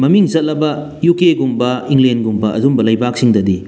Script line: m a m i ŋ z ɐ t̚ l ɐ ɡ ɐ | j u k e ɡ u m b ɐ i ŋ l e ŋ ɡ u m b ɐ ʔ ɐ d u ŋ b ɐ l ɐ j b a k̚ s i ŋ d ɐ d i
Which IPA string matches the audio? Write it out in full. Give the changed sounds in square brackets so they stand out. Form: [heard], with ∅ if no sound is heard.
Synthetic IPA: m [ɐ] m i ŋ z ɐ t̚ l ɐ [b] ɐ | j u k e ɡ u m b ɐ i ŋ l e [n] ɡ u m b ɐ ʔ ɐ d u [m] b ɐ l ɐ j b a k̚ s i ŋ d ɐ d i